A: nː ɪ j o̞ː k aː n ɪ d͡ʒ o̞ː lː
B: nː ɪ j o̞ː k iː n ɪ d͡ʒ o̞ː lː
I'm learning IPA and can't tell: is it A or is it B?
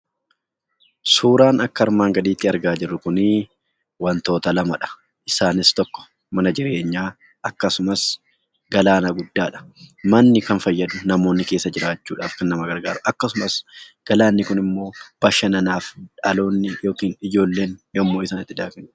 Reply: B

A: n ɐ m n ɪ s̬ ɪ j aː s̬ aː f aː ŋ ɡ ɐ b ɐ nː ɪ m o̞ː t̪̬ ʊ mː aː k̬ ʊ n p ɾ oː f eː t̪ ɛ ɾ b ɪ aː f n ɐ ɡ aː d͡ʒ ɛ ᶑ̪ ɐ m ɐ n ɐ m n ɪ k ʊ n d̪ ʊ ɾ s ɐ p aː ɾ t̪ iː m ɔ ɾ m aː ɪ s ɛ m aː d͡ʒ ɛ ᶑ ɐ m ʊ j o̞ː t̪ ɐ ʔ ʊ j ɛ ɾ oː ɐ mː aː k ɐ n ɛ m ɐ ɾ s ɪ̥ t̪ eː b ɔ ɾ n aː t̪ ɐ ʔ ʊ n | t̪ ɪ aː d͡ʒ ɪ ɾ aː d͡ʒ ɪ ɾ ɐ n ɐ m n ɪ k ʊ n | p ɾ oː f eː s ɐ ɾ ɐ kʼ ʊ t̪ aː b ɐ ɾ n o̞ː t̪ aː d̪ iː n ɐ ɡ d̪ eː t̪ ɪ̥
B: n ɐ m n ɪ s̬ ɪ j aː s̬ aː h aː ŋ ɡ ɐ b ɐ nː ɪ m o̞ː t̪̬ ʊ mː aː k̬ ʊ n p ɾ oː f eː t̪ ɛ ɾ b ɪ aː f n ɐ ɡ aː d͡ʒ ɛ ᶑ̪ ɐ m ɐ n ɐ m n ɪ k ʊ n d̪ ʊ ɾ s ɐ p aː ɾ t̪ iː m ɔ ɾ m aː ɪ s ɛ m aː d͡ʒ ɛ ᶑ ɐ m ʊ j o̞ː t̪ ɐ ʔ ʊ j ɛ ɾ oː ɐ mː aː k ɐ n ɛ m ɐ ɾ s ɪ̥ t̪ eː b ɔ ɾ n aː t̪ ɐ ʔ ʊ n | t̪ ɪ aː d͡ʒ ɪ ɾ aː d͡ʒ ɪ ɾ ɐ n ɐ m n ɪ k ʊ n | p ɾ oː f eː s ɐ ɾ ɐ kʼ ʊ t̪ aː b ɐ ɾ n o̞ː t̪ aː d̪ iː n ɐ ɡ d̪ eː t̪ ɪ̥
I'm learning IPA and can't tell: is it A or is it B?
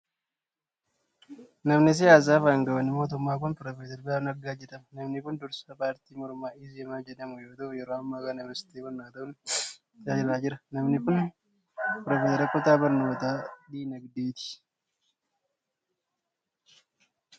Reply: A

